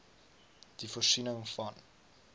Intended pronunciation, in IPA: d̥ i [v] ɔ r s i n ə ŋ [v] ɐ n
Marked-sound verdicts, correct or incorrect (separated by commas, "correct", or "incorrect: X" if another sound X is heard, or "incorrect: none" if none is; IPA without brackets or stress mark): incorrect: f, incorrect: f